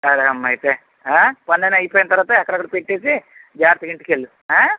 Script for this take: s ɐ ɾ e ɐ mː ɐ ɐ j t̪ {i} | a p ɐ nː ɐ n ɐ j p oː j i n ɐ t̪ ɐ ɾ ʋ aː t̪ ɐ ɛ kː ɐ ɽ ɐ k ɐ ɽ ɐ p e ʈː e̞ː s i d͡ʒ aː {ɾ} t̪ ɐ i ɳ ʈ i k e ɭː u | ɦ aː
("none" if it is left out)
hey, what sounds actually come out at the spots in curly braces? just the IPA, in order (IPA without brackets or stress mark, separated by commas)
e, ɾ